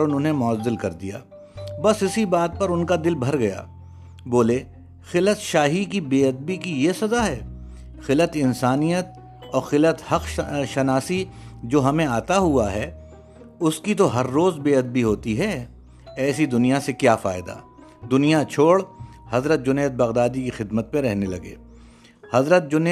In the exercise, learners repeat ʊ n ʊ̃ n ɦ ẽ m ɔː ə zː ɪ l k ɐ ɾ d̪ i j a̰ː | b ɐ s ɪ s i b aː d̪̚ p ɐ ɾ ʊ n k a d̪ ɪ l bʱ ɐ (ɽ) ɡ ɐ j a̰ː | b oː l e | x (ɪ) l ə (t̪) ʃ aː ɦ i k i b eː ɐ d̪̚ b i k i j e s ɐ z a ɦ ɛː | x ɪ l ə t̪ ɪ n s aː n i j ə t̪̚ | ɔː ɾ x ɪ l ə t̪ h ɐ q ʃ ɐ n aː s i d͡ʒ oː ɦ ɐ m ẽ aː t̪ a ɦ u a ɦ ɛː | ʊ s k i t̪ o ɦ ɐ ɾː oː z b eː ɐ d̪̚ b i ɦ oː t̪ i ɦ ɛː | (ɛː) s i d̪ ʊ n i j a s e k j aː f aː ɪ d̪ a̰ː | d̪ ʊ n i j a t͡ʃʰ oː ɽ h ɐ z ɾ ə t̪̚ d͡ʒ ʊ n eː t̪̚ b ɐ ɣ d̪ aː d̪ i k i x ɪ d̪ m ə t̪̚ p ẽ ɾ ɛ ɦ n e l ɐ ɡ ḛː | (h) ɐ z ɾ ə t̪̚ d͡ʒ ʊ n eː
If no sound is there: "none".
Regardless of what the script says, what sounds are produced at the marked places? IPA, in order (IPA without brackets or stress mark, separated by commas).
ɾ, ɪ, t̪, ɛː, h